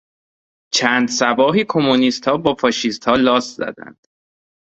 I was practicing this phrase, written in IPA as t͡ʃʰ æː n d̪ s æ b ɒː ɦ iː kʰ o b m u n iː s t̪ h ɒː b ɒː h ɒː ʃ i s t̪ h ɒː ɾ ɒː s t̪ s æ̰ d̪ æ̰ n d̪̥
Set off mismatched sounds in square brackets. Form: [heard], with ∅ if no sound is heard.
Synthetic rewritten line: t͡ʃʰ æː n d̪ s æ b ɒː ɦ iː kʰ o [∅] m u n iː s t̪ h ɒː b ɒː [f] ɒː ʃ i s t̪ h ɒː [l] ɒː s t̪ [z] æ̰ d̪ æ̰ n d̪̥